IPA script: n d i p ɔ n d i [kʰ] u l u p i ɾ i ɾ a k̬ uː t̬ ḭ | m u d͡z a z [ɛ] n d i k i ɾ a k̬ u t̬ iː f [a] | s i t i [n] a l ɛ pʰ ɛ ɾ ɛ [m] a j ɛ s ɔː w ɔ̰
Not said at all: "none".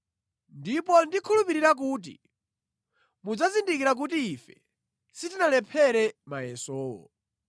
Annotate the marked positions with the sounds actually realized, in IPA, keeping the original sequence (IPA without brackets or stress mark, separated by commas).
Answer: kʰ, i, ɛ, n, m